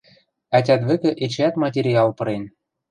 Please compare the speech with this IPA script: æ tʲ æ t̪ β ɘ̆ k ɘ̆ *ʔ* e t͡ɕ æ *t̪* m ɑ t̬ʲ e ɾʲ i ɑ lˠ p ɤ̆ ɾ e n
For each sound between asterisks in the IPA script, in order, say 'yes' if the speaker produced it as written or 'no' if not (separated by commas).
yes, yes